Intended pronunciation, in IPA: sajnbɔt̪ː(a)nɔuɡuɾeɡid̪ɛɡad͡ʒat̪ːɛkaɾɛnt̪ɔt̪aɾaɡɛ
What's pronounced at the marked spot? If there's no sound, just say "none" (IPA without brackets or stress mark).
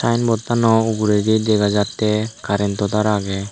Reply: a